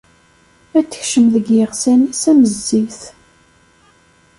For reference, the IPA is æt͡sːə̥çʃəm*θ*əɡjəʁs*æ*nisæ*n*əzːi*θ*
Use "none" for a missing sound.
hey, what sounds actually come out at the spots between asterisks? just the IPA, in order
ð, æ, m, θ

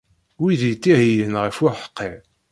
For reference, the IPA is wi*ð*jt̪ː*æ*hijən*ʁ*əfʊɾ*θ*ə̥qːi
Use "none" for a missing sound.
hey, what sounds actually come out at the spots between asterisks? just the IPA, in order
ð, i, ʁ, ħ

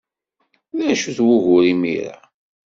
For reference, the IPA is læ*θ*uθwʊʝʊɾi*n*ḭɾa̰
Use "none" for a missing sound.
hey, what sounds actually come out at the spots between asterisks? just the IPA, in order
ʃ, m

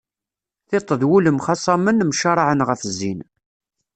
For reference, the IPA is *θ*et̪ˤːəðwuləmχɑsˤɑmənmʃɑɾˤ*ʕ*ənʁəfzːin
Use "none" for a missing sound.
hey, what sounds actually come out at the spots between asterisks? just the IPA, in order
θ, ʕ

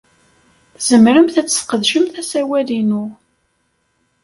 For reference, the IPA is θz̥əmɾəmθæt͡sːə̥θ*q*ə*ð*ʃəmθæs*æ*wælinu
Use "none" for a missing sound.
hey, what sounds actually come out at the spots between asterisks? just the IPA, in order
q, ð, æ

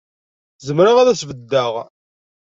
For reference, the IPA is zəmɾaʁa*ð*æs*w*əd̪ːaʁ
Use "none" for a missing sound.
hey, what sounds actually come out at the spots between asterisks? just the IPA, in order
ð, v

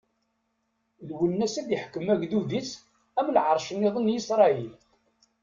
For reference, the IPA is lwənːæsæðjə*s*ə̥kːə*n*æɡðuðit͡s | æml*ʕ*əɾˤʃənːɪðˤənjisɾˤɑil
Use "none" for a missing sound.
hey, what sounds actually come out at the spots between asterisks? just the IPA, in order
ħ, m, ʕ

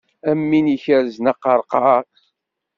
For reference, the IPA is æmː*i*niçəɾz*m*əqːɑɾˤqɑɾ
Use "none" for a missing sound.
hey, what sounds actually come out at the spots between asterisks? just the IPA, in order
i, n

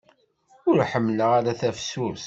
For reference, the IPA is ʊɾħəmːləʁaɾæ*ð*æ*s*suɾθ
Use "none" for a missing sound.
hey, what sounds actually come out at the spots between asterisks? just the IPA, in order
θ, f

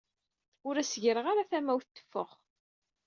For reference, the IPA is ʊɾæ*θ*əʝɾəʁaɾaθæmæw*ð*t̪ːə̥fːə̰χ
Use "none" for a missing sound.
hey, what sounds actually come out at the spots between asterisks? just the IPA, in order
s, θ

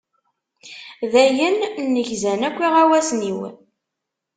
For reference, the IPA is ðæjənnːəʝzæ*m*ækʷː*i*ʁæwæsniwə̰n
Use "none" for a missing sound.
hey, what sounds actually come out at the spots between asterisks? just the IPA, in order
n, i

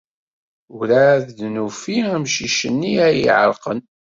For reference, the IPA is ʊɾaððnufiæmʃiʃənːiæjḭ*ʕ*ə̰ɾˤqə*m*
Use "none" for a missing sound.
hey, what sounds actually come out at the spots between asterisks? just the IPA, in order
ʕ, n

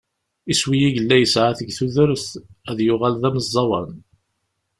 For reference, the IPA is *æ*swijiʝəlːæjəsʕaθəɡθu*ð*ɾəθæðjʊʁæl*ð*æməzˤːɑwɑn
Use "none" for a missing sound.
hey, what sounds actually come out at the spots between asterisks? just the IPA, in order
i, ð, ð

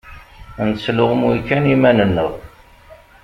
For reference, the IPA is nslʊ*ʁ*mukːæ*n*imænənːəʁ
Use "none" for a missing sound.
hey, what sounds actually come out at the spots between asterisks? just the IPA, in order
ʁ, n

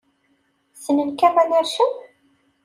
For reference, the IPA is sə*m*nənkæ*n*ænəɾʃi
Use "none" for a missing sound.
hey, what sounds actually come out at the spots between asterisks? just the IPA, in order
none, m

